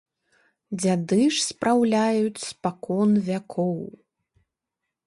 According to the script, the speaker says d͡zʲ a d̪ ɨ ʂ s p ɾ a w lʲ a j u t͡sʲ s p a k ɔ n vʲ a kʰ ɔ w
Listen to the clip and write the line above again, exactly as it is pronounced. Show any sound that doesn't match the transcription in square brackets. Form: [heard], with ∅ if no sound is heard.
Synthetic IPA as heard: d͡zʲ a d̪ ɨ ʂ s p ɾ a w lʲ a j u t͡sʲ s p a k ɔ n vʲ a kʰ ɔ w